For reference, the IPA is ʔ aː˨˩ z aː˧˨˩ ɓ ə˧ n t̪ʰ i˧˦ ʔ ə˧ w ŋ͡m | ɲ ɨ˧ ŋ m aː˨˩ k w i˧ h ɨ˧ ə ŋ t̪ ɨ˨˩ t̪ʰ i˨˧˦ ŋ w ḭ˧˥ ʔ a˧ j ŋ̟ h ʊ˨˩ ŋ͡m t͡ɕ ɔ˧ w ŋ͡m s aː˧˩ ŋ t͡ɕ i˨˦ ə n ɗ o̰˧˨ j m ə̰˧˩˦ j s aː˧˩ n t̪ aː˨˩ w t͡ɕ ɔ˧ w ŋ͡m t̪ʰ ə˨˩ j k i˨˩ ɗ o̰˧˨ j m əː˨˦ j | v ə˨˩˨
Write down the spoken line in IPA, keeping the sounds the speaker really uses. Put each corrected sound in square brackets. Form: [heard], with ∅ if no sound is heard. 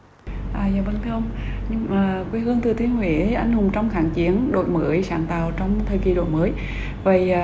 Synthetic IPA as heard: ʔ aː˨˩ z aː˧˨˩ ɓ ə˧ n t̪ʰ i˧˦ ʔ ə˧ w ŋ͡m | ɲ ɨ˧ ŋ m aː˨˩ k w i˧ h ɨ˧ ə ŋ t̪ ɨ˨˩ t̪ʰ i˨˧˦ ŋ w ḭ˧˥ ʔ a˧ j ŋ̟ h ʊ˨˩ ŋ͡m t͡ɕ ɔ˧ w ŋ͡m [x] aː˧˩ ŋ t͡ɕ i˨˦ ə n ɗ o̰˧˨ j m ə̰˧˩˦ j s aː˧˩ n t̪ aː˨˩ w t͡ɕ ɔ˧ w ŋ͡m t̪ʰ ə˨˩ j k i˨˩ ɗ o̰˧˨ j m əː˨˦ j | v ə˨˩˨